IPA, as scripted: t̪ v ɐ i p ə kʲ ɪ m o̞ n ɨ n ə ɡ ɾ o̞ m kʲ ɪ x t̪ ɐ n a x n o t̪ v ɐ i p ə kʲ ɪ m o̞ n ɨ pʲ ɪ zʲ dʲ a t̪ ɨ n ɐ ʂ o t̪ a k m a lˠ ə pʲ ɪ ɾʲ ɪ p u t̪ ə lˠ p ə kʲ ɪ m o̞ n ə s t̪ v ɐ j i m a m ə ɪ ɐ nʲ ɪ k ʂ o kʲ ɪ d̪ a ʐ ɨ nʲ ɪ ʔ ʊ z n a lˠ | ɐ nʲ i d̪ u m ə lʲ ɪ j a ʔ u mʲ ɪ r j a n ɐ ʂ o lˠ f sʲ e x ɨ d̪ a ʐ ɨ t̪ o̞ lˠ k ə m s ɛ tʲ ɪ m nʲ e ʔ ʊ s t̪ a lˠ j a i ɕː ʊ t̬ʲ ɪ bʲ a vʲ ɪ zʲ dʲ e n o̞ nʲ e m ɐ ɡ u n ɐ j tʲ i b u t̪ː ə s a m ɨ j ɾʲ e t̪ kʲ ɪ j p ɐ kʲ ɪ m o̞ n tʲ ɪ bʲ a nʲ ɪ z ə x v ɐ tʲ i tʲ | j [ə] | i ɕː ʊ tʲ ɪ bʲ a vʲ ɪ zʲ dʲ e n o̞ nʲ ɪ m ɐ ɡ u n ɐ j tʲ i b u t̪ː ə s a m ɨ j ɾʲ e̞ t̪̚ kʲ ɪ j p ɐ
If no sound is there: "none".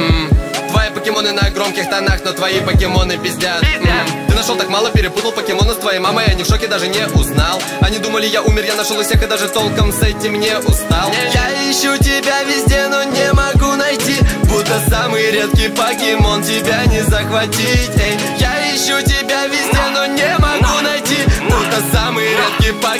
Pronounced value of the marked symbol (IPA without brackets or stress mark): a